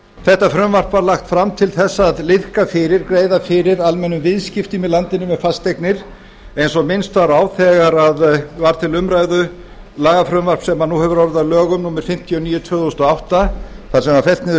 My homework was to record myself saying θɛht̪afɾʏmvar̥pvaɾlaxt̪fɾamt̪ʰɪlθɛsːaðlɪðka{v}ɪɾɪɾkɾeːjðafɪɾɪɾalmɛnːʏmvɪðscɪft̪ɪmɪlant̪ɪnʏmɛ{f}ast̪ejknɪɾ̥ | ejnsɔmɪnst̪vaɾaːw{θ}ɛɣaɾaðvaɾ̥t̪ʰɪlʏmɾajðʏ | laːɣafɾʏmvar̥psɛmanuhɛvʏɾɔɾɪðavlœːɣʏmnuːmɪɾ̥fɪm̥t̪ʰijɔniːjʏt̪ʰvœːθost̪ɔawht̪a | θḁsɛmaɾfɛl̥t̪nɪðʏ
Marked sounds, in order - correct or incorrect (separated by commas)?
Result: incorrect, correct, correct